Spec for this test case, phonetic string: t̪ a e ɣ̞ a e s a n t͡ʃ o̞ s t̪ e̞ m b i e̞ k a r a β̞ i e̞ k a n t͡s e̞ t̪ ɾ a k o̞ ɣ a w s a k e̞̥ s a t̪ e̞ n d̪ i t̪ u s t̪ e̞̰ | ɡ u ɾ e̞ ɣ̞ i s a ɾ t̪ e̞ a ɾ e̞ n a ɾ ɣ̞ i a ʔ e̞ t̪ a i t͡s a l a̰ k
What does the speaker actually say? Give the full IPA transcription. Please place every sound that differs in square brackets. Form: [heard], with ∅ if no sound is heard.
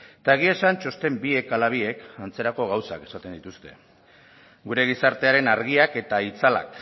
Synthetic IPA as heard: t̪ a e ɣ̞ [i] e s a n t͡ʃ o̞ s t̪ e̞ m b i e̞ k a [l] a β̞ i e̞ k a n t͡s e̞ [∅] ɾ a k o̞ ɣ a w s a k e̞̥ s a t̪ e̞ n d̪ i t̪ u s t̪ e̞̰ | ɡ u ɾ e̞ ɣ̞ i s a ɾ t̪ e̞ a ɾ e̞ n a ɾ ɣ̞ i a [k] e̞ t̪ a i t͡s a l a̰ k